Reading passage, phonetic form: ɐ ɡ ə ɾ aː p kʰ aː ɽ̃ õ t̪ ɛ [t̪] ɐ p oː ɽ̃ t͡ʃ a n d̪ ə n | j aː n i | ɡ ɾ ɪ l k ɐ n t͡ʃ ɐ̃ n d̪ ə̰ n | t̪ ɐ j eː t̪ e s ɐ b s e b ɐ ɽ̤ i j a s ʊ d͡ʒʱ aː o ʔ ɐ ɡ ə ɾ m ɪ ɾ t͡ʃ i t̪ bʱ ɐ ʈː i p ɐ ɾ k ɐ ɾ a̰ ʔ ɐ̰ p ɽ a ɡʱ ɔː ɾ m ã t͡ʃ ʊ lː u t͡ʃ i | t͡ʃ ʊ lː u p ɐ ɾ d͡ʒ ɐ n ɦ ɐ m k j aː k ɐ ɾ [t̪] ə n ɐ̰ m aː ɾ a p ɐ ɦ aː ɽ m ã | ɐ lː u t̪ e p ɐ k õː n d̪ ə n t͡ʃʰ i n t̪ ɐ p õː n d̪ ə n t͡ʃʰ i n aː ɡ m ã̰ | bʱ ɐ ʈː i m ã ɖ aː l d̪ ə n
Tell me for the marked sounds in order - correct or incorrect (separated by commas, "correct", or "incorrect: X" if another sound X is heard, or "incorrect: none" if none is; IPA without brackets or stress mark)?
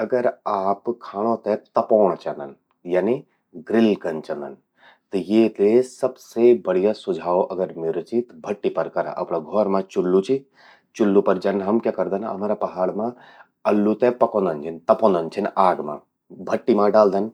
correct, incorrect: d̪